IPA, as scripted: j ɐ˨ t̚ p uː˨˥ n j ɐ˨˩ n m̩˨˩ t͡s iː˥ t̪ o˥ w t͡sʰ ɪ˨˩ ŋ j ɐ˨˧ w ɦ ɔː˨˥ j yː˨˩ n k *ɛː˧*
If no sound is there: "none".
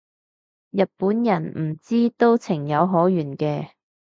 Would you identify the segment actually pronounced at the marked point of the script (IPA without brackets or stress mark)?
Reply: ɛː˧